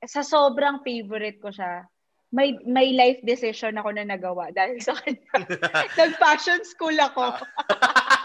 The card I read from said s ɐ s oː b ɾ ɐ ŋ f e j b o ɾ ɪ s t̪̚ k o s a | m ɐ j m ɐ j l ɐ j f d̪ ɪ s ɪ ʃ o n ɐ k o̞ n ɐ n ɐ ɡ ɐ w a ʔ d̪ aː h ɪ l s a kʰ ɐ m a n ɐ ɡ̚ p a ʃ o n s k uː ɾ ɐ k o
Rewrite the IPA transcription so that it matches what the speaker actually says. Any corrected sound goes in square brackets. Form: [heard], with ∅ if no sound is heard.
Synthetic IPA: s ɐ s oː b ɾ ɐ ŋ f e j [v] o ɾ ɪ [∅] t̪̚ k o [ʃ] a | m ɐ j m ɐ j l [a] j f d̪ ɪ s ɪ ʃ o n ɐ k o̞ n ɐ n ɐ ɡ ɐ w a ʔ d̪ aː h ɪ l s [ɐ] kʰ ɐ [ɲ] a n ɐ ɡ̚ p a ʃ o n s k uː [l] ɐ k o